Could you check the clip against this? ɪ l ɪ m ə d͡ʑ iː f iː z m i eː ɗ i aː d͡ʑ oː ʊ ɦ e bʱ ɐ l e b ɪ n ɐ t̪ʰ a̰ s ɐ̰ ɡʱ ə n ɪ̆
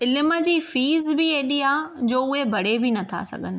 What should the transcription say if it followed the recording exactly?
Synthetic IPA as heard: ɪ l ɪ m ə d͡ʑ iː f iː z b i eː ɗ i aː d͡ʑ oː ʊ ɦ e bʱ ɐ ɽ e b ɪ n ɐ t̪ʰ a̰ s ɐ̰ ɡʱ ə n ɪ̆